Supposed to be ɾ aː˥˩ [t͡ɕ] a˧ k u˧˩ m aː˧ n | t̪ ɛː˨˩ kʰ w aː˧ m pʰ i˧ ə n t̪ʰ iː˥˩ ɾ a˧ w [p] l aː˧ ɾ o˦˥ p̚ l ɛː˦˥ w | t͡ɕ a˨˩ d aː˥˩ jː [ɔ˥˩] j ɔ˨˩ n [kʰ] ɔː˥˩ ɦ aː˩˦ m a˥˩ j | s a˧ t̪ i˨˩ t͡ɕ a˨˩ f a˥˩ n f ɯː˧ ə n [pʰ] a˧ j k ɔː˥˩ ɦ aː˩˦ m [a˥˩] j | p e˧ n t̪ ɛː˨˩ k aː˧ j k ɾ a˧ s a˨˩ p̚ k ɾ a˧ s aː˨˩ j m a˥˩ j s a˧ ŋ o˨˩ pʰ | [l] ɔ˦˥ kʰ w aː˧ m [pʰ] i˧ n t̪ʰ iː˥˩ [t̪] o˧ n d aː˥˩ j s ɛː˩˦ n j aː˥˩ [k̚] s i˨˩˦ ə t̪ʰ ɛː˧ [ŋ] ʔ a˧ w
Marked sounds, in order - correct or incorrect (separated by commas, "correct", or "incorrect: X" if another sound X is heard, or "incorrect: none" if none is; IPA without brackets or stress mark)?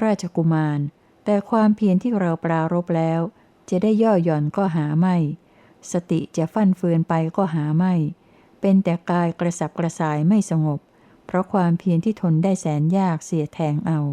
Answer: incorrect: t͡ɕʰ, correct, incorrect: ɔː˥˩, incorrect: k, incorrect: p, correct, incorrect: ɾ, correct, incorrect: t̪ʰ, correct, correct